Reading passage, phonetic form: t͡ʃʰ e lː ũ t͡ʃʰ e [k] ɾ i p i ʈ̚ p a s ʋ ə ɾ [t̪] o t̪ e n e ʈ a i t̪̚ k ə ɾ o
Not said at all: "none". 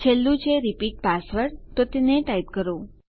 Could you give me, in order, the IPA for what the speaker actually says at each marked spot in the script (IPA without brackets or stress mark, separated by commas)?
none, t̪